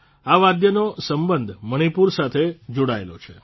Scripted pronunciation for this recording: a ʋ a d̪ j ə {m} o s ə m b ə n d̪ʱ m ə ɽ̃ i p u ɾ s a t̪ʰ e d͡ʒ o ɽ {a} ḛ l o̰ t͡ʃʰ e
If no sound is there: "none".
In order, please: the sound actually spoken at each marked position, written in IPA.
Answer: n, a

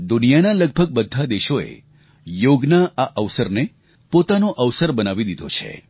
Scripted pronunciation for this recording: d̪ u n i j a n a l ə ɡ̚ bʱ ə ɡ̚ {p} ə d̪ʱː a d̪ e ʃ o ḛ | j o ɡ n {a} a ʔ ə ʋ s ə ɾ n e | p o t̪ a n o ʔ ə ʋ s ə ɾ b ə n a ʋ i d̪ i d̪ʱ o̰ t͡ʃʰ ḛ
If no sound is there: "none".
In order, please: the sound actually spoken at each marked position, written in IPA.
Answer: b, a

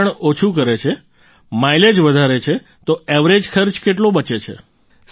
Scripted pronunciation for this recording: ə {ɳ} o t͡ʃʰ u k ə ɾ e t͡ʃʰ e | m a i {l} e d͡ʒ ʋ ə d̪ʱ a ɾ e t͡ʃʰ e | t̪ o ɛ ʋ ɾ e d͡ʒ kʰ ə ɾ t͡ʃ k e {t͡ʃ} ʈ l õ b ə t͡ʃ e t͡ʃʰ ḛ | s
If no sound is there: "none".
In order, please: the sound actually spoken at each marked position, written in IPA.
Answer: ɳ, l, none

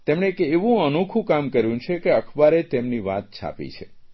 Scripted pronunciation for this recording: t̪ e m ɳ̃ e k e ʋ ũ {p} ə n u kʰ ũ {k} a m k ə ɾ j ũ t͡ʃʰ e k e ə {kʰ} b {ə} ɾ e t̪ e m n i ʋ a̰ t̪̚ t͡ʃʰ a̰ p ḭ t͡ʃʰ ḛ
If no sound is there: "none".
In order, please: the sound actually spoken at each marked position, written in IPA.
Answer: none, k, kʰ, a

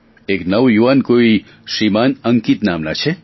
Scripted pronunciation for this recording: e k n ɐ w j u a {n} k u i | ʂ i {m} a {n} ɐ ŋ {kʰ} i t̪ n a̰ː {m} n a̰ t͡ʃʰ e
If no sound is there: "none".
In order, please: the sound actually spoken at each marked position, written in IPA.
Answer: n, m, n, k, m

